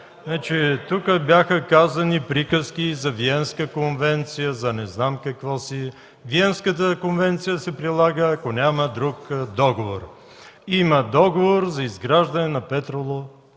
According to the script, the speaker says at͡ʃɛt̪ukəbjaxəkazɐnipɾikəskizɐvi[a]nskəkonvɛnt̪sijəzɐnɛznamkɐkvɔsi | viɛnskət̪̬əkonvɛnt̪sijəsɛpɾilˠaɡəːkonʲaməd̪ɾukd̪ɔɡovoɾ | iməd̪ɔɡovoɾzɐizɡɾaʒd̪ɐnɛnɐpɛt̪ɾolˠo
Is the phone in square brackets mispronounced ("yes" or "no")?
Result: yes